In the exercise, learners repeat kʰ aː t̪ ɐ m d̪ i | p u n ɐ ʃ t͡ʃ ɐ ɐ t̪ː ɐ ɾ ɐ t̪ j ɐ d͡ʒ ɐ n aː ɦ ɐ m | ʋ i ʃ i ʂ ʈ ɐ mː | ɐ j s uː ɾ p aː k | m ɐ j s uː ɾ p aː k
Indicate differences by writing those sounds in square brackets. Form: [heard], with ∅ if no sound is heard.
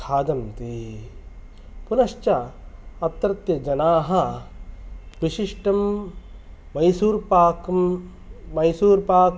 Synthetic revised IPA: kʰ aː [d̪] ɐ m [t̪] i | p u n ɐ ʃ t͡ʃ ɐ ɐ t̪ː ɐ ɾ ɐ t̪ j ɐ d͡ʒ ɐ n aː ɦ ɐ [∅] | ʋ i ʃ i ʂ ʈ ɐ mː | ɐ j s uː ɾ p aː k | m ɐ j s uː ɾ p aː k